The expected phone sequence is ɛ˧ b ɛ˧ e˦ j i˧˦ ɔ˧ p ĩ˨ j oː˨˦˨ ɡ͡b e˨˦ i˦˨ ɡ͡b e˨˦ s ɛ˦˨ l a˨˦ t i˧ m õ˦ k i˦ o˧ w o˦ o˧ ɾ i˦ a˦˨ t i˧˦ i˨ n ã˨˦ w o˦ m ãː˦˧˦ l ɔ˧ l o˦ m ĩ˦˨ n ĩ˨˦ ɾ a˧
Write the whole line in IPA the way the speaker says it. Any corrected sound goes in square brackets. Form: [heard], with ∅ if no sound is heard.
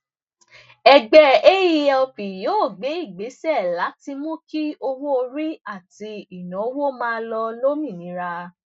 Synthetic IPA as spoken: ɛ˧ [ɡ͡b] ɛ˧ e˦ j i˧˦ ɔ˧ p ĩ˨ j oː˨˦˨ ɡ͡b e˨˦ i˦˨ ɡ͡b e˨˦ s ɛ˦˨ l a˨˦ t i˧ m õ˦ k i˦ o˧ w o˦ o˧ ɾ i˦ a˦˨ t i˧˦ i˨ n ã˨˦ w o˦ m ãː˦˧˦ l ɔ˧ l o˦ m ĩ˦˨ n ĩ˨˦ ɾ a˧